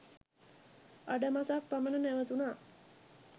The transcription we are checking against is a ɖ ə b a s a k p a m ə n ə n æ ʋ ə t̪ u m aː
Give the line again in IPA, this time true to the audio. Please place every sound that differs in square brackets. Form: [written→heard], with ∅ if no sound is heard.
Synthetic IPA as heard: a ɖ ə [b→m] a s a k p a m ə n ə n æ ʋ ə t̪ u [m→n] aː